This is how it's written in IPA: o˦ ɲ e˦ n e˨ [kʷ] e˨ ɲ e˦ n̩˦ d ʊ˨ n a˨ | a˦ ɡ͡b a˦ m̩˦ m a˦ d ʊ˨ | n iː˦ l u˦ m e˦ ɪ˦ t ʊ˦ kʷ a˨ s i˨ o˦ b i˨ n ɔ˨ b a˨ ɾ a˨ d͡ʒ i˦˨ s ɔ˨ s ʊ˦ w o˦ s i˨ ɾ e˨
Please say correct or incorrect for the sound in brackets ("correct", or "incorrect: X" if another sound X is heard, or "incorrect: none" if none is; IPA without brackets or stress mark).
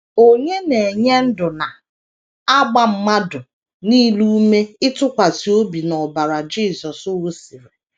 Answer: incorrect: none